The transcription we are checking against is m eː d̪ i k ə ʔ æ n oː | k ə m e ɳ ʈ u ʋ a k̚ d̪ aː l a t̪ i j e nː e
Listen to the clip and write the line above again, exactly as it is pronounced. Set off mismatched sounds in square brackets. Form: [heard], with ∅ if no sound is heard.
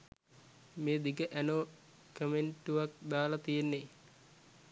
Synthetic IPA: m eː d̪ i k ə ʔ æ n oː | k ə m e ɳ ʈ u ʋ a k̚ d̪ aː l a t̪ i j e nː e